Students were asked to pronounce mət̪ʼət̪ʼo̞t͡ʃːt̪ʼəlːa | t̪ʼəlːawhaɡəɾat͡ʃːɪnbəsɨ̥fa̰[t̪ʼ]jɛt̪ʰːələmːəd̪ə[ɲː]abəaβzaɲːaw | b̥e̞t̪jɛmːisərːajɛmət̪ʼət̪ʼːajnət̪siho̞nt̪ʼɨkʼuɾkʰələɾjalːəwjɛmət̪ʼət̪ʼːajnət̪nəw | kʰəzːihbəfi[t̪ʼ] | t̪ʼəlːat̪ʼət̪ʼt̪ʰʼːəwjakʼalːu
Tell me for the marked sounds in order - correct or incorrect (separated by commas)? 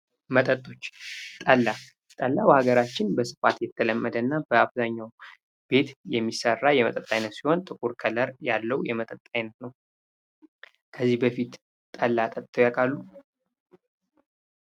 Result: incorrect, incorrect, incorrect